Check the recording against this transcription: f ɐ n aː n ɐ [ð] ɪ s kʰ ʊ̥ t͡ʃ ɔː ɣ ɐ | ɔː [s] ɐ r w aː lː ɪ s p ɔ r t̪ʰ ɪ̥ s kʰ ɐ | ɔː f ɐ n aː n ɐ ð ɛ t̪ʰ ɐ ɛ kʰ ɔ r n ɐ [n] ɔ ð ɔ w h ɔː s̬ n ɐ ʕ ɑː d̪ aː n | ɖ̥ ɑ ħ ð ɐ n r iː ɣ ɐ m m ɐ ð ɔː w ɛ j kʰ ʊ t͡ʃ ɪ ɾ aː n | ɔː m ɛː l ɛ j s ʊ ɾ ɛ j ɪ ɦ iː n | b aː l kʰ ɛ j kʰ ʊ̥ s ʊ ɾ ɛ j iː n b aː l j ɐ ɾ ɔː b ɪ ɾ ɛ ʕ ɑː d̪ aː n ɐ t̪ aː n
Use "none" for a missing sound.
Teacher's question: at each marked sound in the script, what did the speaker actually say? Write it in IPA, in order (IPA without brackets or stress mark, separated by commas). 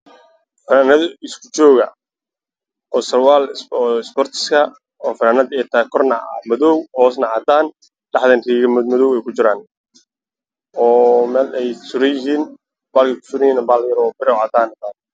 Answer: ð, s, m